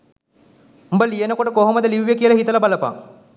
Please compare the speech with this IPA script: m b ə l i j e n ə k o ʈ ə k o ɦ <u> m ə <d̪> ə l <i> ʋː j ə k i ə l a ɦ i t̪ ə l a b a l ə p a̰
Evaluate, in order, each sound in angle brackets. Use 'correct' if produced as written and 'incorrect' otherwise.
incorrect, correct, correct

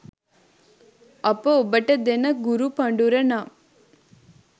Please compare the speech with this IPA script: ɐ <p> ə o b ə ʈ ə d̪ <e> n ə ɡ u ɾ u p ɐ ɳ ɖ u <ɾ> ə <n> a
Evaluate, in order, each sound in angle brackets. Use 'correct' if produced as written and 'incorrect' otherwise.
correct, correct, correct, correct

